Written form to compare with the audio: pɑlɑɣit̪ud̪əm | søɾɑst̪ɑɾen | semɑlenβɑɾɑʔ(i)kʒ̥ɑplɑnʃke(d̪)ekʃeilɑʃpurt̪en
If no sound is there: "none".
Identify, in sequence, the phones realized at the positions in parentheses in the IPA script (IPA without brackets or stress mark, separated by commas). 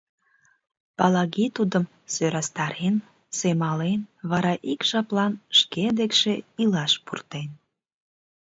i, d̪